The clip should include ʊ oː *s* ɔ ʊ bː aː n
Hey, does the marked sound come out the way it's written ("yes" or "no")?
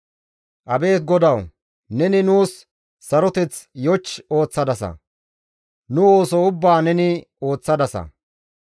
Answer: yes